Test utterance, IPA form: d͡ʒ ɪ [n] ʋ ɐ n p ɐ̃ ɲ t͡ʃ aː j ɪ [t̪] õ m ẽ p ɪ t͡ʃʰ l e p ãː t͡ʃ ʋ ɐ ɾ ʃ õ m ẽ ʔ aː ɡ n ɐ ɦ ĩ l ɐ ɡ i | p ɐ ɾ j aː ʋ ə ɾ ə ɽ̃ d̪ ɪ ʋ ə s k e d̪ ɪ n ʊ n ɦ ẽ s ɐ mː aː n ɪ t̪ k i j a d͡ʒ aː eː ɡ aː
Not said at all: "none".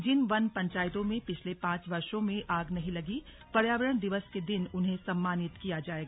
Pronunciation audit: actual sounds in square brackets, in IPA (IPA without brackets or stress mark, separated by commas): n, t̪